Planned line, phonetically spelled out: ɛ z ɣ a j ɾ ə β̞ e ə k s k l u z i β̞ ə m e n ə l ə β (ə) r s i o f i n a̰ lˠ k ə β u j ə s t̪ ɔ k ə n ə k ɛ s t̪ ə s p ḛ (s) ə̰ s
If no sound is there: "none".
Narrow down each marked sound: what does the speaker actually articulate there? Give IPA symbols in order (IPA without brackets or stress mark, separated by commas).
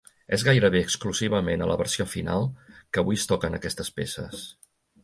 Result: ə, s